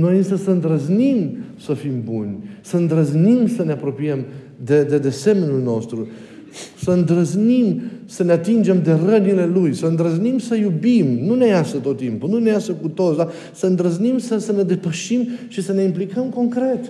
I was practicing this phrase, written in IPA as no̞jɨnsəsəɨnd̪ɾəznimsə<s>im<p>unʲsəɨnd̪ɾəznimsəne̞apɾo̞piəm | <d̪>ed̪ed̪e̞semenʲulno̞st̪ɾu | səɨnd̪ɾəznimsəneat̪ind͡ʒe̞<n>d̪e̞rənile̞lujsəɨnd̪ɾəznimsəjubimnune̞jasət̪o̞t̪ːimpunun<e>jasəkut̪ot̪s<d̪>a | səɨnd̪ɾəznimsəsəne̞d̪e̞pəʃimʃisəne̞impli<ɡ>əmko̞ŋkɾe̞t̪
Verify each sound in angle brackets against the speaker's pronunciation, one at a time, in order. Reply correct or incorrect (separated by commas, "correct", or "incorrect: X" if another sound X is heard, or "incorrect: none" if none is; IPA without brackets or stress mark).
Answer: incorrect: f, incorrect: b, correct, incorrect: m, correct, correct, incorrect: k